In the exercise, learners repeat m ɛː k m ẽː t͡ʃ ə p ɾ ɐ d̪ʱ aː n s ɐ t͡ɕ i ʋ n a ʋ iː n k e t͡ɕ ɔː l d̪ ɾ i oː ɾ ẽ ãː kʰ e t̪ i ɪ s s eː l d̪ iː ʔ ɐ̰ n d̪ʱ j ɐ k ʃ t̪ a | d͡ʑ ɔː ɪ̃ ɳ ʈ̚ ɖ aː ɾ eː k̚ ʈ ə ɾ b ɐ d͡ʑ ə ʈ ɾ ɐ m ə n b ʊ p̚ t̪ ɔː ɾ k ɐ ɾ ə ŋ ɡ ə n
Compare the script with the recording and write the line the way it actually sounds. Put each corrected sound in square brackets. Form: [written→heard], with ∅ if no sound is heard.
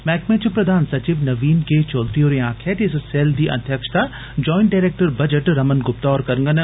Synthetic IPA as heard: m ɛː k m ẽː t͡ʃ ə p ɾ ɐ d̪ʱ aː n s ɐ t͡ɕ i ʋ n [a→ɐ] ʋ iː n k e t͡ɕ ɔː l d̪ ɾ i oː ɾ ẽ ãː kʰ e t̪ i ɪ s s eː l d̪ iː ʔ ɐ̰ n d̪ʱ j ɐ k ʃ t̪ a | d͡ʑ ɔː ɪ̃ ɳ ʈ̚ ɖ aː ɾ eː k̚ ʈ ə ɾ b ɐ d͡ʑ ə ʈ ɾ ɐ m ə n [b→ɡ] ʊ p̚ t̪ ɔː ɾ k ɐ ɾ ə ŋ ɡ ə n